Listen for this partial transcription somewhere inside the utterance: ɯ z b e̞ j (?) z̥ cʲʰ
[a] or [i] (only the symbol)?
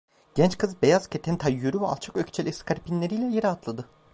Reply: a